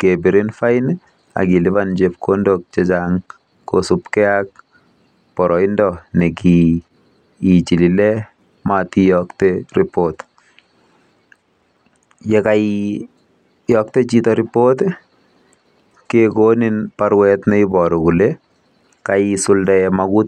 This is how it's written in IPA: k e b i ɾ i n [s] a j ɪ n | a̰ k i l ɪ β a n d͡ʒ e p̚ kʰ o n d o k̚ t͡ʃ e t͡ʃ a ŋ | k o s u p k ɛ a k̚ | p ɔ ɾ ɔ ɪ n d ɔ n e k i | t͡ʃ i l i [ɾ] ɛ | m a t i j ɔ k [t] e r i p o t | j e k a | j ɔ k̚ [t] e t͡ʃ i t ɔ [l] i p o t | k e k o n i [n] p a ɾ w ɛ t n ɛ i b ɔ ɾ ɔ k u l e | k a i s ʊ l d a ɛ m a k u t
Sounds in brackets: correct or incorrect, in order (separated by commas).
incorrect, incorrect, correct, correct, incorrect, correct